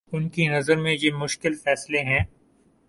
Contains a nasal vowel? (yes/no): yes